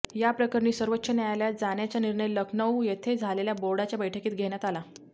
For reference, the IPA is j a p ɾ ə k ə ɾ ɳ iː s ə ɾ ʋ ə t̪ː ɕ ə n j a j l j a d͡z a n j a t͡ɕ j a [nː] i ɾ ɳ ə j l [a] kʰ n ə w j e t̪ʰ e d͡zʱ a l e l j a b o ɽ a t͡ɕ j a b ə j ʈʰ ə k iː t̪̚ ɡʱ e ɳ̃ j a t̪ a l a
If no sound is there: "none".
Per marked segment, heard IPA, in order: n, ə

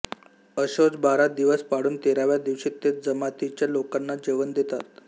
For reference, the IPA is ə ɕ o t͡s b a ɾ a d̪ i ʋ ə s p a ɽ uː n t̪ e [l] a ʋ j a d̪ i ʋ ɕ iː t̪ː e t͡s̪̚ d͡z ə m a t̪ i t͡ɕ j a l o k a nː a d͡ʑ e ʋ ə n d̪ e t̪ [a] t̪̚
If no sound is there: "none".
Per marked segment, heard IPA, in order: ɾ, a

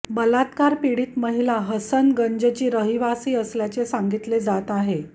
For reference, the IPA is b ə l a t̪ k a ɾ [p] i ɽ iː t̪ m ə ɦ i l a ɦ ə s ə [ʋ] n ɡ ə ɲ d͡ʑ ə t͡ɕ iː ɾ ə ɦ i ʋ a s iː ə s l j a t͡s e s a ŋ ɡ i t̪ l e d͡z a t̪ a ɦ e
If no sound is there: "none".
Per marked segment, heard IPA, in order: p, none

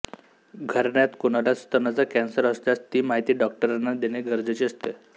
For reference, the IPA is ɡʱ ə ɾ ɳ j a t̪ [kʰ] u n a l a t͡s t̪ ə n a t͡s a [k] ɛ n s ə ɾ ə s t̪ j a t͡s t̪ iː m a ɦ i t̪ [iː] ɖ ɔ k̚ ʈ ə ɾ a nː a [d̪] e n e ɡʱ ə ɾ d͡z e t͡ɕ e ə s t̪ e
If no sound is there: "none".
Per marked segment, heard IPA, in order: k, k, iː, d̪

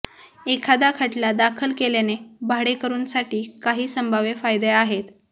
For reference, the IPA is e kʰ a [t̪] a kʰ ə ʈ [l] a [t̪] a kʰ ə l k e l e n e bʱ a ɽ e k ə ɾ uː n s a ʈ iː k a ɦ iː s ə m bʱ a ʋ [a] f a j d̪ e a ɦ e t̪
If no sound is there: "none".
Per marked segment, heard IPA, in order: d̪, l, d̪, e

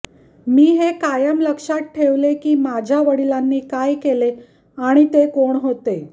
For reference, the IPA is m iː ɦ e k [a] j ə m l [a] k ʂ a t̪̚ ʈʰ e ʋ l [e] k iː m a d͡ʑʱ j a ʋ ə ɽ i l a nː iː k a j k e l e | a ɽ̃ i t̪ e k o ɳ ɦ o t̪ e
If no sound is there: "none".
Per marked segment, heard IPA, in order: a, ə, e

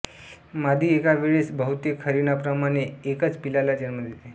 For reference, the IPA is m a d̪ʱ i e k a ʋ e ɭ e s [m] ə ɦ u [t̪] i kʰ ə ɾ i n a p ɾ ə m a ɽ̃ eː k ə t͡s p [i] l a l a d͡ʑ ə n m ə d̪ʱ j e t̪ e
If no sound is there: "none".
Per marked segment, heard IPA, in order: b, t̪, i

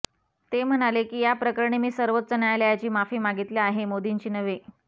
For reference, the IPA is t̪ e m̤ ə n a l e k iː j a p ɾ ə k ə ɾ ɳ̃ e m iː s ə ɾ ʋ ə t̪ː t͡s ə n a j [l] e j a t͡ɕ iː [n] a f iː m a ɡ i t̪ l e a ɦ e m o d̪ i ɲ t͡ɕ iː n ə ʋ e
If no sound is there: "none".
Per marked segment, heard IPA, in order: l, m

